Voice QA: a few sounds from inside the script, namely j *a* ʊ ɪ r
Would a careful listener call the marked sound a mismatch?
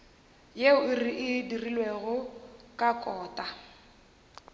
yes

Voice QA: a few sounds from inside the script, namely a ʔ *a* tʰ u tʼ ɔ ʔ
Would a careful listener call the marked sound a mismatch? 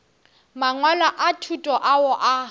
no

